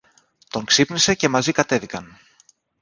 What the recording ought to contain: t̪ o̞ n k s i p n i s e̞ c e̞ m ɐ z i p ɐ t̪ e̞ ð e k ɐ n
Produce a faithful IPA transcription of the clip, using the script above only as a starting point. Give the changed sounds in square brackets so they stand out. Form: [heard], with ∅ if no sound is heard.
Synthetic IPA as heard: t̪ o̞ [ŋ] k s i p n i s e̞ c e̞ m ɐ z i [k] ɐ t̪ e̞ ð [i] k ɐ n